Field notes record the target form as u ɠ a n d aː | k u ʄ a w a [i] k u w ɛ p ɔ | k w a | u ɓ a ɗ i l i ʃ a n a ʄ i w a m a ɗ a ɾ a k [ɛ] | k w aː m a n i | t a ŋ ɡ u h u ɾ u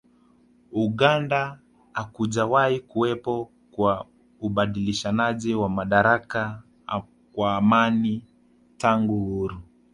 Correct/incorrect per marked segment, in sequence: correct, incorrect

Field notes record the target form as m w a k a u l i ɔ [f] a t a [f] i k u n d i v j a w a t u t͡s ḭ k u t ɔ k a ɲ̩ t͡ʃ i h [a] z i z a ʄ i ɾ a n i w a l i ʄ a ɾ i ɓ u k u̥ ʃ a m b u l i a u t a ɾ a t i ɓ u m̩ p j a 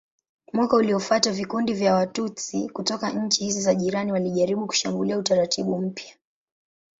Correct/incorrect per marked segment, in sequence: correct, incorrect, incorrect

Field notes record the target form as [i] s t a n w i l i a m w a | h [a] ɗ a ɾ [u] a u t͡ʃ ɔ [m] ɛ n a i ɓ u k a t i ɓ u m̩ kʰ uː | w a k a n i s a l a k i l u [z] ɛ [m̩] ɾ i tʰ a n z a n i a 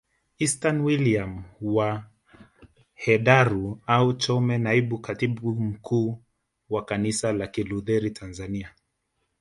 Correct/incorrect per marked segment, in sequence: correct, incorrect, correct, correct, incorrect, incorrect

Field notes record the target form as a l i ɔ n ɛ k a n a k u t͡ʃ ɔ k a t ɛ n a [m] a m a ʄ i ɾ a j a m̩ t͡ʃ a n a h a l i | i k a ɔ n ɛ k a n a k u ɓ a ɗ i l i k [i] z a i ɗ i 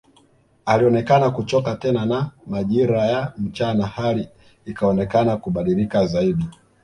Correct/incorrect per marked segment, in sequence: incorrect, incorrect

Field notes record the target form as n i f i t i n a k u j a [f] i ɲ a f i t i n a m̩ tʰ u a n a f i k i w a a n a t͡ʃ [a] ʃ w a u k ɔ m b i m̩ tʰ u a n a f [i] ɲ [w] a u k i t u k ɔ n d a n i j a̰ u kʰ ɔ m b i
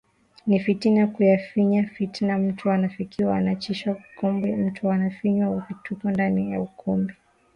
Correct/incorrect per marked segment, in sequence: correct, incorrect, correct, correct

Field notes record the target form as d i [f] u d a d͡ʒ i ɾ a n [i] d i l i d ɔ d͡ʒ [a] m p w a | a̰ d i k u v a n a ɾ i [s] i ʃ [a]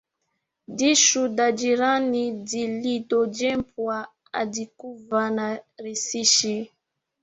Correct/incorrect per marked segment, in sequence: incorrect, correct, incorrect, correct, incorrect

